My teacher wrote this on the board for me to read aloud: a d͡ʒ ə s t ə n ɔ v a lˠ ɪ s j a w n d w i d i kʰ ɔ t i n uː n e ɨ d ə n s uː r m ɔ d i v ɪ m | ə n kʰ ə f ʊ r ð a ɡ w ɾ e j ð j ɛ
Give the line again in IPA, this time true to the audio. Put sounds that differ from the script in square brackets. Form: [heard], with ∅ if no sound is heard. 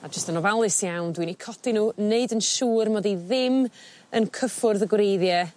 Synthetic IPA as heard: a d͡ʒ ə s t ə n ɔ v a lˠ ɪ s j a w n d w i [n] i kʰ ɔ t i n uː n e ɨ d ə n [ʃ] uː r m ɔ d i [ð] ɪ m | ə n kʰ ə f ʊ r ð [ə] ɡ w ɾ e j ð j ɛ